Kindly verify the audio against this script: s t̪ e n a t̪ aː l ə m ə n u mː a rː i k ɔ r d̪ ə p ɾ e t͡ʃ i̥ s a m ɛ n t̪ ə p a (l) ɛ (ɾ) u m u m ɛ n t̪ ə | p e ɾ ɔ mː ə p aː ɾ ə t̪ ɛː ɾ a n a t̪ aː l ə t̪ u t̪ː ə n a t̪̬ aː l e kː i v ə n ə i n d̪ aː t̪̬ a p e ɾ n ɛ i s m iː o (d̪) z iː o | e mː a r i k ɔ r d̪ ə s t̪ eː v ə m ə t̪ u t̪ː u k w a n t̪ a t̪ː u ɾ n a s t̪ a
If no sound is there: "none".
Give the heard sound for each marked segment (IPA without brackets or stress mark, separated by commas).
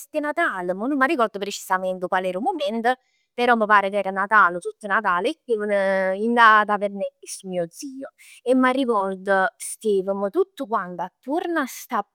l, ɾ, d̪